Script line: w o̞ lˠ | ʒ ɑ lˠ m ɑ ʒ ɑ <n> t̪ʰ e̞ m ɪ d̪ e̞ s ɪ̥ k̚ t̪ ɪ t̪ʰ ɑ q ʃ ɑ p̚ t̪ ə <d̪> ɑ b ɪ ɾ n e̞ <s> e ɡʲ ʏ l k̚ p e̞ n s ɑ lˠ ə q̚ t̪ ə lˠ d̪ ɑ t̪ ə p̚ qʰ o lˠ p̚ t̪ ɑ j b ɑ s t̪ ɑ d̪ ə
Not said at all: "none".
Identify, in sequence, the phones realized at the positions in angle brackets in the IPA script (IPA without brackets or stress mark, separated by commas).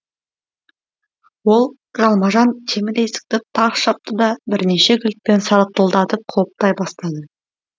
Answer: n, d̪, ʃ